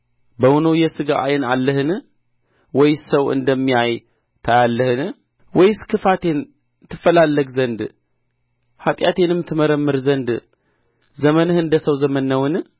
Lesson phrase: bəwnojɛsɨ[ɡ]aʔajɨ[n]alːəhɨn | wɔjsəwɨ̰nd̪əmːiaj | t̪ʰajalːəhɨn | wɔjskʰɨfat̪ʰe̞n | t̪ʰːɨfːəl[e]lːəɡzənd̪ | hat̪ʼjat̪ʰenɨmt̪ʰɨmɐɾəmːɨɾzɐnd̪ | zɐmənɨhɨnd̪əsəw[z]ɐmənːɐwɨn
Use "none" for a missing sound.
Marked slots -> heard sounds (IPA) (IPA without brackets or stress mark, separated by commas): ɡ, n, a, z